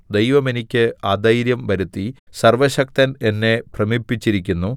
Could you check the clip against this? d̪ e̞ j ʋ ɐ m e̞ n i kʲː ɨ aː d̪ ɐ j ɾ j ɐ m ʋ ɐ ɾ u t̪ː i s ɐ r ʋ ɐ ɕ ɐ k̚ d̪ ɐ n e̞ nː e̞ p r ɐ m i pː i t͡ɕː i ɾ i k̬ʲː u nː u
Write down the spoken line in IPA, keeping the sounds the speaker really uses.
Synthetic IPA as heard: d̪ e̞ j ʋ ɐ m e̞ n i kʲː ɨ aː d̪ ɐ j ɾ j ɐ m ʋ ɐ ɾ u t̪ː i s ɐ r ʋ ɐ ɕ ɐ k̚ t̪ ɐ n e̞ nː e̞ p r ɐ m i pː i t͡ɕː i ɾ i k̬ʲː u nː u